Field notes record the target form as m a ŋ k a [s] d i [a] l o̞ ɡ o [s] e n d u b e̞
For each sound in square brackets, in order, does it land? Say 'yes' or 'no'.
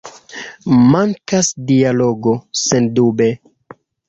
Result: yes, yes, yes

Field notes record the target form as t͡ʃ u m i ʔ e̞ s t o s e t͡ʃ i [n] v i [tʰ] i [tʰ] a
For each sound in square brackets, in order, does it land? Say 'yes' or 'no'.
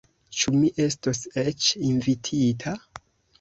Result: yes, yes, yes

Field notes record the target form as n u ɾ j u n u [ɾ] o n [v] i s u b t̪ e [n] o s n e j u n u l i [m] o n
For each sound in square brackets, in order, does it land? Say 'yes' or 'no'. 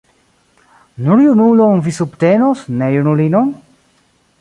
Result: no, yes, yes, no

